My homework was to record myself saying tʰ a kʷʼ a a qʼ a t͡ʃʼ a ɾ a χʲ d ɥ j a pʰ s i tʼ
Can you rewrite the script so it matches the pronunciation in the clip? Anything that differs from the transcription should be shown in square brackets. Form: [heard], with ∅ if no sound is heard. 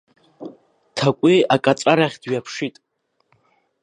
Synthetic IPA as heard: tʰ a kʷʼ [i] a [kʼ] a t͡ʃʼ a ɾ a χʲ d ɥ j a pʰ [ʂ] i tʼ